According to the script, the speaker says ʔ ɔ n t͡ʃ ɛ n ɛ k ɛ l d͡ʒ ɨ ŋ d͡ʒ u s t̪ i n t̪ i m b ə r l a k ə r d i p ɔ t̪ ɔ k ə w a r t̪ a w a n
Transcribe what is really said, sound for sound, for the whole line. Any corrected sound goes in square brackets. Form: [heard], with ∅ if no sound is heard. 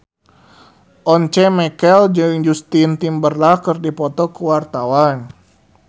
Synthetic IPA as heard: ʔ ɔ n t͡ʃ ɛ [m] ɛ k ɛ l d͡ʒ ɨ ŋ d͡ʒ u s t̪ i n t̪ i m b ə r l a k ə r d i p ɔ t̪ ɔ k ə w a r t̪ a w a n

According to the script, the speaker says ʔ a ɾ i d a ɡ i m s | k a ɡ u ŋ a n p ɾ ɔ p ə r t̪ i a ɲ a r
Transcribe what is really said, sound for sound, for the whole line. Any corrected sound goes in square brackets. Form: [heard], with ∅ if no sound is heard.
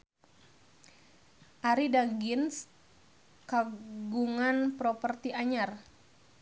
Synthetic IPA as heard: ʔ a ɾ i d a ɡ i [n] s | k a ɡ u ŋ a n p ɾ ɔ p ə r t̪ i a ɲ a r

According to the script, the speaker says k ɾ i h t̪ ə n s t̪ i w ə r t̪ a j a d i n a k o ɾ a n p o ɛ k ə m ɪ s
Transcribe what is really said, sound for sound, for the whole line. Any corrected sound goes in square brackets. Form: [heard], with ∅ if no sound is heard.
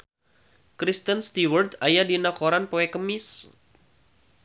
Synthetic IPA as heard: k ɾ i [s] t̪ ə n s t̪ i w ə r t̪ a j a d i n a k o ɾ a n p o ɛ k ə m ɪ s

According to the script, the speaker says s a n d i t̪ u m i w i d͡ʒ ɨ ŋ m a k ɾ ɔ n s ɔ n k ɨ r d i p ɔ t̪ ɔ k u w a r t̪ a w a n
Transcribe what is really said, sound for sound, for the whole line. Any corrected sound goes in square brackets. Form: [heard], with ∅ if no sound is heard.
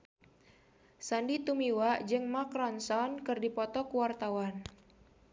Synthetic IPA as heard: s a n d i t̪ u m i w [a] d͡ʒ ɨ ŋ m a k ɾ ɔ n s ɔ n k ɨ r d i p ɔ t̪ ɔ k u w a r t̪ a w a n

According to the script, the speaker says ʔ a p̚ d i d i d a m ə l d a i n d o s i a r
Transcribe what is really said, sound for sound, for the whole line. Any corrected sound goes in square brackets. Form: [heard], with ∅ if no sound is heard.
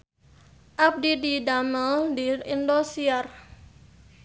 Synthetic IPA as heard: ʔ a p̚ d i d i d a m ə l d [i] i n d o s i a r

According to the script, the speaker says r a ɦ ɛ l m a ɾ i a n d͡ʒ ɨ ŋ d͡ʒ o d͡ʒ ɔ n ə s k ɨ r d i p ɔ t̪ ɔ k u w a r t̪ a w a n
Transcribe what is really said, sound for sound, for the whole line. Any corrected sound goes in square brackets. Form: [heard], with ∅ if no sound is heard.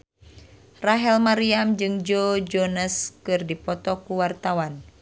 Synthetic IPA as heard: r a ɦ ɛ l m a ɾ i a [m] d͡ʒ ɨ ŋ d͡ʒ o d͡ʒ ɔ n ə s k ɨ r d i p ɔ t̪ ɔ k u w a r t̪ a w a n

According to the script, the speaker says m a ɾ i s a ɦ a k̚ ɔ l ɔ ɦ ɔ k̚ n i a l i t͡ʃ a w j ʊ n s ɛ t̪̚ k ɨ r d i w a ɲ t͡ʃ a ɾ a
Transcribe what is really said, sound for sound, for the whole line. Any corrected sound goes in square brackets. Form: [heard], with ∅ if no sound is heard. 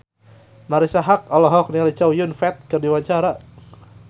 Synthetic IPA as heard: m a ɾ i s a ɦ a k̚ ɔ l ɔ ɦ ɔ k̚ n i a l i t͡ʃ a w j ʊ n [f] ɛ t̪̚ k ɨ r d i w a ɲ t͡ʃ a ɾ a

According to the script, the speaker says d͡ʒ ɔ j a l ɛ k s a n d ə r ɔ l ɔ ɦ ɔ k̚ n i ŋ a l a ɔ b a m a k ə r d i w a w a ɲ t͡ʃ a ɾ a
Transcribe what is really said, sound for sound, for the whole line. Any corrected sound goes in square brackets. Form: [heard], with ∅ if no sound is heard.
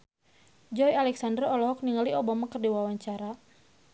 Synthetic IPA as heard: d͡ʒ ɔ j a l ɛ k s a n d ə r ɔ l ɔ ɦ ɔ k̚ n i ŋ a l [i] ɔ b a m a k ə r d i w a w a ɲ t͡ʃ a ɾ a

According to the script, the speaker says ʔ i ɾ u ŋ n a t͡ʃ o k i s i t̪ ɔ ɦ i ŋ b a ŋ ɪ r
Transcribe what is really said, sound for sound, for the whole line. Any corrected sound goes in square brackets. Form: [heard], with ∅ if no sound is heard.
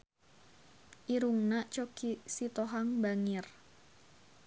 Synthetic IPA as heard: ʔ i ɾ u ŋ n a t͡ʃ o k i s i t̪ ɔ ɦ [a] ŋ b a ŋ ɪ r

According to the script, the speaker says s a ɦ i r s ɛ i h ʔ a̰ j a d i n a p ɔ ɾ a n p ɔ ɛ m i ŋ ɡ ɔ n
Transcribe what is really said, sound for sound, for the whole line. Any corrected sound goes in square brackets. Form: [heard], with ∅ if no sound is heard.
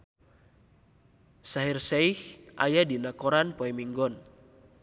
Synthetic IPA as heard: s a ɦ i r s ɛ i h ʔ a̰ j a d i n a [k] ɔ ɾ a n p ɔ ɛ m i ŋ ɡ ɔ n

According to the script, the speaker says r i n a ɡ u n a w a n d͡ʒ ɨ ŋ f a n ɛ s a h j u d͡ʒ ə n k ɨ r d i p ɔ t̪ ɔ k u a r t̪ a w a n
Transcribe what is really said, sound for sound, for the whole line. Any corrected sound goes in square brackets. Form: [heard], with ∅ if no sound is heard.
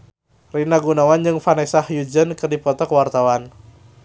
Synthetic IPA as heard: r i n a ɡ u n a w a n d͡ʒ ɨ ŋ f a n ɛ s a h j u d͡ʒ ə n k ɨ r d i p ɔ t̪ ɔ k [w] a r t̪ a w a n

